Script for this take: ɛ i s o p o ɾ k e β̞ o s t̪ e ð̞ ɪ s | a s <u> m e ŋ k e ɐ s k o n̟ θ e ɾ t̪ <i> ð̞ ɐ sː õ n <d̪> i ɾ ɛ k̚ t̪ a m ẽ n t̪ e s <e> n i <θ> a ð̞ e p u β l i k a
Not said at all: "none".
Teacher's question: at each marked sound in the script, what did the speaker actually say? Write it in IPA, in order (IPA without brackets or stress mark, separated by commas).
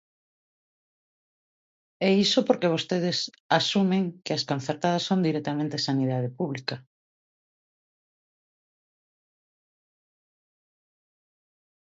u, a, d̪, a, ð